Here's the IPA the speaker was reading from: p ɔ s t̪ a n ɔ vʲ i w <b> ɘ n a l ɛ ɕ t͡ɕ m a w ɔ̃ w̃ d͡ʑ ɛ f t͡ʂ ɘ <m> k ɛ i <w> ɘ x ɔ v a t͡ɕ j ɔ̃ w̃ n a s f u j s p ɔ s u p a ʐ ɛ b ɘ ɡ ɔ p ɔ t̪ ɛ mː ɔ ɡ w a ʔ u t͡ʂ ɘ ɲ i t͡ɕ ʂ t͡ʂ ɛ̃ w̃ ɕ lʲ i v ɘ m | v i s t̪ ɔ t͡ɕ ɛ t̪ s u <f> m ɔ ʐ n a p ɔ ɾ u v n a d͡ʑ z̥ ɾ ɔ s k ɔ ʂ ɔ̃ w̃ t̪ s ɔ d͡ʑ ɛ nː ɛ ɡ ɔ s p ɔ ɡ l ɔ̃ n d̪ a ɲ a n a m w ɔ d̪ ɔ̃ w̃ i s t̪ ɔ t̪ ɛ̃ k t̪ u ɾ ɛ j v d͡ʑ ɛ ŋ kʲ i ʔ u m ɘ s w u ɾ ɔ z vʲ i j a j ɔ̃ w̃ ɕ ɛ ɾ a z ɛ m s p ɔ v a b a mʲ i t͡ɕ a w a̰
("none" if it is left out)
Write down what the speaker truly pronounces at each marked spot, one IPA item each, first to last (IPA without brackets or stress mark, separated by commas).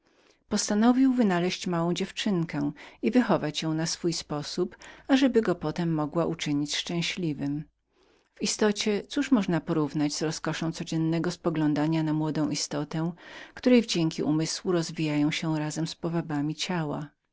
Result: v, ŋ, v, ʂ